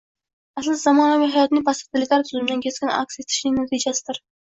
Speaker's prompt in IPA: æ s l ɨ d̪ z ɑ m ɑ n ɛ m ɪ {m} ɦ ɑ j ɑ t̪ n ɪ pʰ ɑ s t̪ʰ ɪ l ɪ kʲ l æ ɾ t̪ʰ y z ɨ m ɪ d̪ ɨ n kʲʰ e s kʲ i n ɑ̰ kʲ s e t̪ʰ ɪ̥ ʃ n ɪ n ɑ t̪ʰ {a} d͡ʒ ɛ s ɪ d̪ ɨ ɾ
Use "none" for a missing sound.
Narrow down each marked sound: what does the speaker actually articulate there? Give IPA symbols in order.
none, i

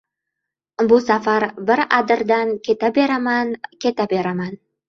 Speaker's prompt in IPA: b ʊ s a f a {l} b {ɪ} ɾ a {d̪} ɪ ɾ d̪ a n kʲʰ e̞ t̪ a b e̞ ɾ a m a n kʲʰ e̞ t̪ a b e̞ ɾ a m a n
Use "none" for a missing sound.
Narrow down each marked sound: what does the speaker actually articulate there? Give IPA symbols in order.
ɾ, ɪ, d̪

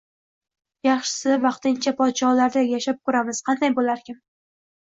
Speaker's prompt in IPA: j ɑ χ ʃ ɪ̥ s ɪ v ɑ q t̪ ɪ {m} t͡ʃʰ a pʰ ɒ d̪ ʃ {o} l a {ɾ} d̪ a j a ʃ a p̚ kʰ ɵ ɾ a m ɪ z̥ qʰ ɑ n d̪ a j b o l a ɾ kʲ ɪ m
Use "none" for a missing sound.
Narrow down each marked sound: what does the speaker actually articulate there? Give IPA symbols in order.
n, ɒ, ɾ

